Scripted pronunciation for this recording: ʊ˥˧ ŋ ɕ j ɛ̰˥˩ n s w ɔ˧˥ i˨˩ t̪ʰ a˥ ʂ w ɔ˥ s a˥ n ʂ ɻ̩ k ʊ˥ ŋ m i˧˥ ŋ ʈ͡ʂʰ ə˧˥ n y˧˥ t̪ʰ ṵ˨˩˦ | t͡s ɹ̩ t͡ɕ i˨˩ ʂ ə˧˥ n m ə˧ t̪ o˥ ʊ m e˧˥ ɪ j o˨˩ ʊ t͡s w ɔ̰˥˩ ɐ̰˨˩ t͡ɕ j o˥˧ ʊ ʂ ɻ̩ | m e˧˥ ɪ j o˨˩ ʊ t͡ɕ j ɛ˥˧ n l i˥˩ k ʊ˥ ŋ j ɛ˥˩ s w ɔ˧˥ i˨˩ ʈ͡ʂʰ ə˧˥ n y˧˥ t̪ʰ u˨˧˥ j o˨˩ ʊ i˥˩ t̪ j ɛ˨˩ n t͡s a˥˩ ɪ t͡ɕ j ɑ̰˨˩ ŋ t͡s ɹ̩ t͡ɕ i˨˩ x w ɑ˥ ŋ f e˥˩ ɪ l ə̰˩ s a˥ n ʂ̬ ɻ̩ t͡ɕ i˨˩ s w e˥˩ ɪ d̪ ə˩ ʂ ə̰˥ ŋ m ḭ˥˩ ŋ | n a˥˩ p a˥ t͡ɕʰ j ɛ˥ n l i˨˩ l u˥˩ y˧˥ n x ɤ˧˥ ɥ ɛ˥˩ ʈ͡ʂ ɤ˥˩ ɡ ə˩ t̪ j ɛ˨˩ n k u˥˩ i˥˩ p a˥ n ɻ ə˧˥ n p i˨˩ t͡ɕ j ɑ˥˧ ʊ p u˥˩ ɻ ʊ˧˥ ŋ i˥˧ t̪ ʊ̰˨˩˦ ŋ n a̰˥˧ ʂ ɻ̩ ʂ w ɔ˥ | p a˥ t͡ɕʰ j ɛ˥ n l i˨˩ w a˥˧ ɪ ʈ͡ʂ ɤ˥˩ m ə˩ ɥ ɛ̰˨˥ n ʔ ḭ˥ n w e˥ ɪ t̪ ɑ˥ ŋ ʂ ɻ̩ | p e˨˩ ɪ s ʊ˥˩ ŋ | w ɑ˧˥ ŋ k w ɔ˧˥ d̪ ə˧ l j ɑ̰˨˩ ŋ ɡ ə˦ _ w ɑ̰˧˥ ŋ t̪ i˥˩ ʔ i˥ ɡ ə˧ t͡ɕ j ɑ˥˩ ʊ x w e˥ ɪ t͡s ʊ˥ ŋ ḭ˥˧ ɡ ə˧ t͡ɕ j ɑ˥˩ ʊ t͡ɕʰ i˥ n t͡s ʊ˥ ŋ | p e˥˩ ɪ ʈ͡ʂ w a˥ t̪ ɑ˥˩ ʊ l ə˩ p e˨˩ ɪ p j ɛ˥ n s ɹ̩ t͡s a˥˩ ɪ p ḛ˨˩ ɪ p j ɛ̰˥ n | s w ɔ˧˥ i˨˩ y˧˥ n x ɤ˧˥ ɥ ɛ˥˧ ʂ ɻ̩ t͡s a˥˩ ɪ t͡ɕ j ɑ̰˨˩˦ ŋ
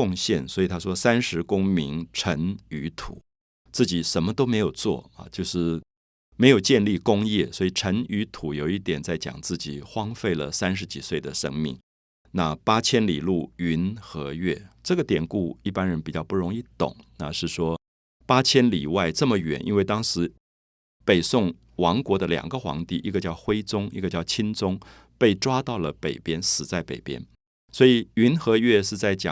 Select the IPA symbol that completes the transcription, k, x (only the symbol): x